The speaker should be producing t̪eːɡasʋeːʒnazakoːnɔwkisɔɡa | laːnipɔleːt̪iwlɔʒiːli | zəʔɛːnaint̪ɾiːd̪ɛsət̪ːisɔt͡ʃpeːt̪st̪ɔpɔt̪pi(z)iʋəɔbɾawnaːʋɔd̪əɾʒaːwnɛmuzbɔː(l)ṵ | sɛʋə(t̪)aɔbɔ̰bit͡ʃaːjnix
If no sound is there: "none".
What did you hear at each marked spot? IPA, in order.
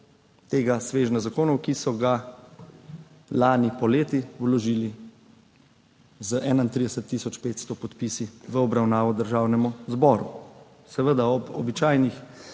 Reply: s, ɾ, d̪

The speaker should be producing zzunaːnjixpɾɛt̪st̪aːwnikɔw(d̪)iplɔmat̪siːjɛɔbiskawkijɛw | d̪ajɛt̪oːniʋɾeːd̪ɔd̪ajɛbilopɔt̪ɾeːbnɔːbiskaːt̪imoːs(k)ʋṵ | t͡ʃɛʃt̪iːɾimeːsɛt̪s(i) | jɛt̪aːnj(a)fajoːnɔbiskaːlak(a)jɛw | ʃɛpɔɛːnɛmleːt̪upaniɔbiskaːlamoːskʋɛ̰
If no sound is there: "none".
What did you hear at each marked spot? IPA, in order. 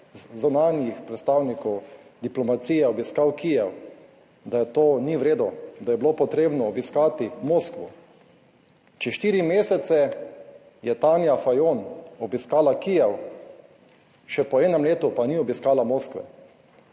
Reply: d̪, k, ɛ, a, i

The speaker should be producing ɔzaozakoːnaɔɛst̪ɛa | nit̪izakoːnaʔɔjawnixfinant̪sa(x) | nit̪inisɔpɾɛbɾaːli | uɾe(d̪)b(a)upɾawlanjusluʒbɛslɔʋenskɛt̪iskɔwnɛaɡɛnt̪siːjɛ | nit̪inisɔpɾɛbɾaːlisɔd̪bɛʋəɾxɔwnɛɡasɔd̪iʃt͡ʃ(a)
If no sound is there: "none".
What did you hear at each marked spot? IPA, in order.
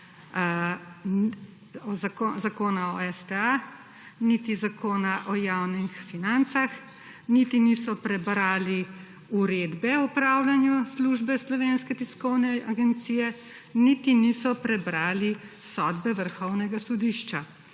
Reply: x, d̪, ɛ, a

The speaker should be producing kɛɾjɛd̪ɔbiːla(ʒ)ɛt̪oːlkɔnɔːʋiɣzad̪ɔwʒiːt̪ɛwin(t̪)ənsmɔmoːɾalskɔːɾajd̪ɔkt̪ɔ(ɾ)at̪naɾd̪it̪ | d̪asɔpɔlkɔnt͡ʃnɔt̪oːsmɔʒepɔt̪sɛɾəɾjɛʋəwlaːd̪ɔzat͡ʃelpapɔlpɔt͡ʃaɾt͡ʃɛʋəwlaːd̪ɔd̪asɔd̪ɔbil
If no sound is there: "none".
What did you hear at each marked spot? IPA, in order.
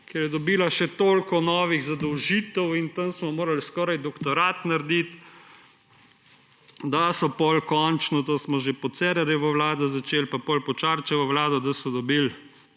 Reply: ʃ, t̪, ɾ

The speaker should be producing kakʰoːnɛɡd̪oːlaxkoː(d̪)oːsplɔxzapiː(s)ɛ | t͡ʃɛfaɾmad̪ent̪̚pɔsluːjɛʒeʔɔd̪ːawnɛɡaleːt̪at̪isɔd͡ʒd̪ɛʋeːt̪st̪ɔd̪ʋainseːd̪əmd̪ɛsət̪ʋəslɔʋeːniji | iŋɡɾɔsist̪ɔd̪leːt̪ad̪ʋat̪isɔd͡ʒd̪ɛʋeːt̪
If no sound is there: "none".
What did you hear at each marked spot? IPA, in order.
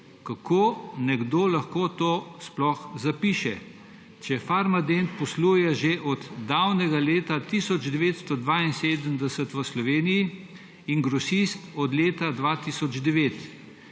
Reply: t̪, ʃ

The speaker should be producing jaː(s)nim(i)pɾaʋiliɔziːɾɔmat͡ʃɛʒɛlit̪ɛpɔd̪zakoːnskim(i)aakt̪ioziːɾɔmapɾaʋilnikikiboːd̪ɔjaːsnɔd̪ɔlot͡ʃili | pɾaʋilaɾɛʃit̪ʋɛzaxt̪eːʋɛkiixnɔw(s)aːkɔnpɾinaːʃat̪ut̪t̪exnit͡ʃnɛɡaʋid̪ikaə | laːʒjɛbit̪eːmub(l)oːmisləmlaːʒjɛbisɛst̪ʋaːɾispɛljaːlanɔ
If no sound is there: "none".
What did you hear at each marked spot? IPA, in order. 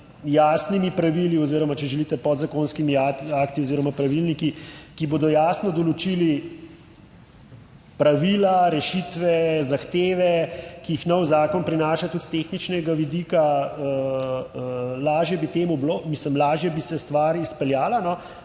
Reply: s, i, i, z, l

